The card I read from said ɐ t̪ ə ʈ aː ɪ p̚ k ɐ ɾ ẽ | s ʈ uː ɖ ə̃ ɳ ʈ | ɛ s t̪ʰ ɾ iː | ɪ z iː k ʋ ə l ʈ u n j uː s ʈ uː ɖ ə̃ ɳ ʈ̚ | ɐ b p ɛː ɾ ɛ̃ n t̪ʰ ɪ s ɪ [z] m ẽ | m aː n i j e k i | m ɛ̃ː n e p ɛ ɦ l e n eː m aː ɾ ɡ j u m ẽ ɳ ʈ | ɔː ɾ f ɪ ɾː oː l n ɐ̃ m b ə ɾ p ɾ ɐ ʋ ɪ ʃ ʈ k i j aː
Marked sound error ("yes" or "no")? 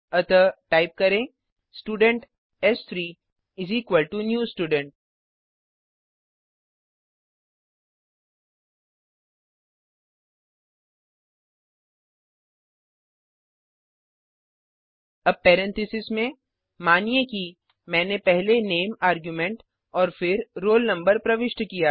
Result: yes